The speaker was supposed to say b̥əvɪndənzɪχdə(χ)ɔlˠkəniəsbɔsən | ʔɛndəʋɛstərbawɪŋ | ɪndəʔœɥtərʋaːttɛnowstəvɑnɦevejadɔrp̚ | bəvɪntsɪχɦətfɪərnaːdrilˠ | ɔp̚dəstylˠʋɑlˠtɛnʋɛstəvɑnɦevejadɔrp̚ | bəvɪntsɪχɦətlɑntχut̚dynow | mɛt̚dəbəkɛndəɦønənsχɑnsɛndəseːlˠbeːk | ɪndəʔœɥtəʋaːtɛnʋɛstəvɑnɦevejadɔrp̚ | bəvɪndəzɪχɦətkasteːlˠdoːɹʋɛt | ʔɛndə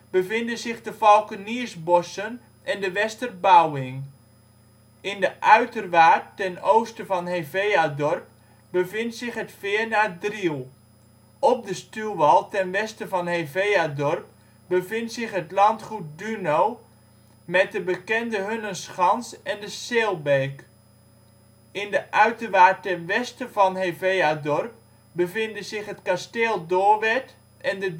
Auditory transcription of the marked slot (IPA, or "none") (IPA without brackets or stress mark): f